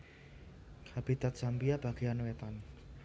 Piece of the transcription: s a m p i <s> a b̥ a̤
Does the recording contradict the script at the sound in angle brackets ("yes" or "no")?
yes